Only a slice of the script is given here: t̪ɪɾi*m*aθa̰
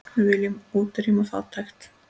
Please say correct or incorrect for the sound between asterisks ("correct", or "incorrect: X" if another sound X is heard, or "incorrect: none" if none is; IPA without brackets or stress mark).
correct